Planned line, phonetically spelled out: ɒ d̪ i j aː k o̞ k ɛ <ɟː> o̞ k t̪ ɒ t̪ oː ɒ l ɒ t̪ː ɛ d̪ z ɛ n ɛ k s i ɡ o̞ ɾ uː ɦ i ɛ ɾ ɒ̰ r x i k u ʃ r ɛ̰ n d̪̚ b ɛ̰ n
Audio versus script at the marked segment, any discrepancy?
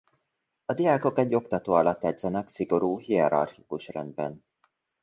no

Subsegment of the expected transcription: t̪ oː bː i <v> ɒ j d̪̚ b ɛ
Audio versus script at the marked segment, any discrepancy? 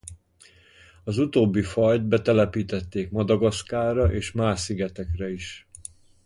yes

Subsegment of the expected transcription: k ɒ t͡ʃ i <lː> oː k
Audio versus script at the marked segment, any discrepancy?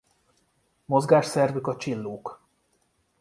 no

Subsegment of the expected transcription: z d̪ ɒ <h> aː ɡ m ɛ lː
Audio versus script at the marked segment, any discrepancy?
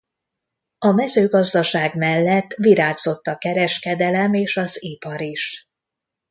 yes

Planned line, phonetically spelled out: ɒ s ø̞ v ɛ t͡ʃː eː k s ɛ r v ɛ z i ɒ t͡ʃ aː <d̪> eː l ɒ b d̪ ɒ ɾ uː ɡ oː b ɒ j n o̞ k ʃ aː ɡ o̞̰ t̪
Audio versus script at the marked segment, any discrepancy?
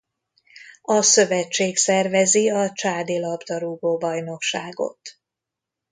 no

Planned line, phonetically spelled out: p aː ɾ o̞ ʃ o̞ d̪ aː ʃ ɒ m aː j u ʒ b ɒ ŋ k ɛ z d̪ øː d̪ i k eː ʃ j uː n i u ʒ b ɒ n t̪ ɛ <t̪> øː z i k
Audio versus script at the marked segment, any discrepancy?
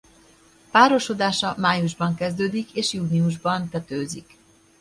no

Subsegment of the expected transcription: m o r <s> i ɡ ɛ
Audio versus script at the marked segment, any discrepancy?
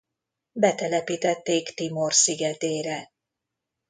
no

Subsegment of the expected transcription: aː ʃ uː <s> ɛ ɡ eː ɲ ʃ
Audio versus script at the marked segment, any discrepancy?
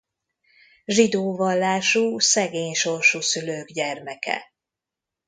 no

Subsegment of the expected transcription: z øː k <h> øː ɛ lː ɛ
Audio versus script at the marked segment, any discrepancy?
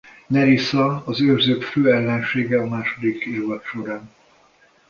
yes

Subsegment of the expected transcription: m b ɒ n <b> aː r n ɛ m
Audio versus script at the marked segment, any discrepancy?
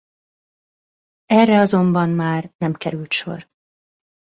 yes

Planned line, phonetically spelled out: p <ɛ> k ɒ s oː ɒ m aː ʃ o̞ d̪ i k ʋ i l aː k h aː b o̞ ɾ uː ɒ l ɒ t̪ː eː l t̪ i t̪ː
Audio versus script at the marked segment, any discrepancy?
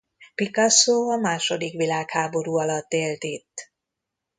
yes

